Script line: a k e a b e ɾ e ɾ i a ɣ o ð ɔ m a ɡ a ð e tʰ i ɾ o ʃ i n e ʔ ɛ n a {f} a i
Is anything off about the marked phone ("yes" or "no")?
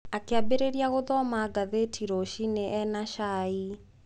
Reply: yes